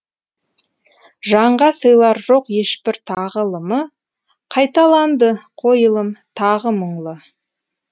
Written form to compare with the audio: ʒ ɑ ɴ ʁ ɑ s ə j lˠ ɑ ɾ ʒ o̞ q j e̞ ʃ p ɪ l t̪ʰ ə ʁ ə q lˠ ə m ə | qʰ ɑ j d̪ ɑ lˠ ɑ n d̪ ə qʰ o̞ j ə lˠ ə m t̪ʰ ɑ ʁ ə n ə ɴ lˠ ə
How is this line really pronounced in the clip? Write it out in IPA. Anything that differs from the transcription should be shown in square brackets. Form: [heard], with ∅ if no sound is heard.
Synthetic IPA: ʒ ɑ ɴ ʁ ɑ s ə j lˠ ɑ ɾ ʒ o̞ q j e̞ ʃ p ɪ [ɾ] t̪ʰ [ɑ] ʁ ə [∅] lˠ ə m ə | qʰ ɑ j [t̪] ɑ lˠ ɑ n d̪ ə qʰ o̞ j ə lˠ ə m t̪ʰ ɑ ʁ ə [m] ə ɴ lˠ ə